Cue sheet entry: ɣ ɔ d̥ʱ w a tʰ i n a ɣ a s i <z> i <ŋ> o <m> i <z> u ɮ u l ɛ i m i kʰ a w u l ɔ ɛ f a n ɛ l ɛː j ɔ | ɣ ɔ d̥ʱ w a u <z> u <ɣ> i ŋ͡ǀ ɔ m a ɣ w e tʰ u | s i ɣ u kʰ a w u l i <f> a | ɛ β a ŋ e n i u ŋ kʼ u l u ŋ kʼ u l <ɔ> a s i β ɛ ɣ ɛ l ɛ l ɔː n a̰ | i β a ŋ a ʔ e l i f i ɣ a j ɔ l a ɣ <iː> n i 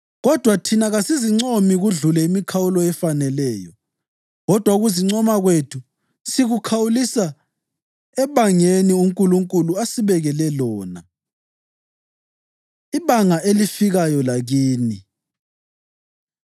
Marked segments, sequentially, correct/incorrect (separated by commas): correct, incorrect, correct, incorrect, incorrect, incorrect, incorrect, incorrect, correct